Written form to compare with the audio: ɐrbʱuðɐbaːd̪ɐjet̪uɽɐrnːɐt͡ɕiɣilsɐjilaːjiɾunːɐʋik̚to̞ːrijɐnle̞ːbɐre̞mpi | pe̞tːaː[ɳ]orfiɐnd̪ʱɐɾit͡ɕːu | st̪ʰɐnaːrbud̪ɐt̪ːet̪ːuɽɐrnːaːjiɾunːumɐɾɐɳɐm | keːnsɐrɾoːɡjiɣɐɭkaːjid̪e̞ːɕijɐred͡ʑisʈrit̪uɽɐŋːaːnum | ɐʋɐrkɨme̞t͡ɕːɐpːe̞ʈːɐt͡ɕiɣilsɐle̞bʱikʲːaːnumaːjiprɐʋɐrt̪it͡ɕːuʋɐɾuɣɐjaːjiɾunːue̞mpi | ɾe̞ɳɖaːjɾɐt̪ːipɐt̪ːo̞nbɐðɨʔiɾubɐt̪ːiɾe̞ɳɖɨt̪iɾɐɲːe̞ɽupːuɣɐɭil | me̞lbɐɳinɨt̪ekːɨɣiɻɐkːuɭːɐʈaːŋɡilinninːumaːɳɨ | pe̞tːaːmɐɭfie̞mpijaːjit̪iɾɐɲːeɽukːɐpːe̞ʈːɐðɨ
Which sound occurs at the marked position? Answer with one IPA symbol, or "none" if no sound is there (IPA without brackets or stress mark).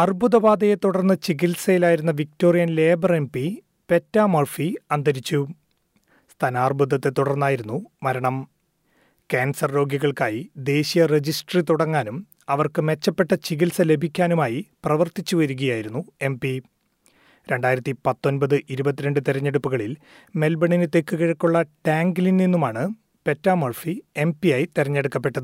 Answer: m